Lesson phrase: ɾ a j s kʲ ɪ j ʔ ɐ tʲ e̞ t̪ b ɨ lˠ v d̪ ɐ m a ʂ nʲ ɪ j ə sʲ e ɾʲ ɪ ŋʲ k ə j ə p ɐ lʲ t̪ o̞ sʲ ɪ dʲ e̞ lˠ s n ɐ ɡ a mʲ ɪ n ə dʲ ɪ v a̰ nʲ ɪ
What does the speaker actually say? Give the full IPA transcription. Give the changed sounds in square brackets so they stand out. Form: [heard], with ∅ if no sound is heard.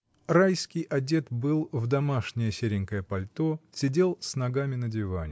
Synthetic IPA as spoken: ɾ a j s kʲ ɪ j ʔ ɐ [dʲ] e̞ t̪ b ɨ lˠ v d̪ ɐ m a ʂ nʲ ɪ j ə sʲ e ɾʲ ɪ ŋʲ k ə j ə p ɐ lʲ t̪ o̞ sʲ ɪ dʲ e̞ lˠ s n ɐ ɡ a mʲ ɪ n ə dʲ ɪ v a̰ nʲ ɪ